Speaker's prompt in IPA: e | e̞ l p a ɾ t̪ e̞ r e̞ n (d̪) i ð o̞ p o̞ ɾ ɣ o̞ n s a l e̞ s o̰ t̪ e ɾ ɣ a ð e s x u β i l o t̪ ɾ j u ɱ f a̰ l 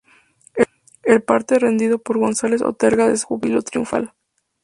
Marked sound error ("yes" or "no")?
no